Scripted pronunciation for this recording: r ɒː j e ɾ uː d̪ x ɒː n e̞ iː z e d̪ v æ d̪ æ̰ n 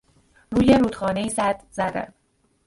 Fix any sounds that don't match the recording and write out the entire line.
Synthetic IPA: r uː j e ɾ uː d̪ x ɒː n e̞ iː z æ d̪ z æ d̪ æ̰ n